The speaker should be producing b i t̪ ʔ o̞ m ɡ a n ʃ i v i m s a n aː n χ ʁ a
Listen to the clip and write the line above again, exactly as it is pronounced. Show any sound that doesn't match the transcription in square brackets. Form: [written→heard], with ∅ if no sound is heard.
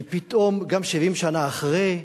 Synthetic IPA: [b→p] i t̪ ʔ o̞ m ɡ a [n→m] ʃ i v i m [s→ʃ] a n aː [n→∅] χ ʁ [a→e]